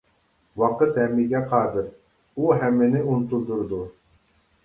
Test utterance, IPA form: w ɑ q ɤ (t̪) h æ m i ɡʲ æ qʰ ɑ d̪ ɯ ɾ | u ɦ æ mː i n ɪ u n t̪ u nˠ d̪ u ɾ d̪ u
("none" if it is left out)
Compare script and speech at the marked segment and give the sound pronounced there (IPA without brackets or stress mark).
t̪